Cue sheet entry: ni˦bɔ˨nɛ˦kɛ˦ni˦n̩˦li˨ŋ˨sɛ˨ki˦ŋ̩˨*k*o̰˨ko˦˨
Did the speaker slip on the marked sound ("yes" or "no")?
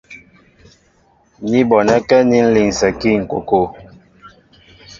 no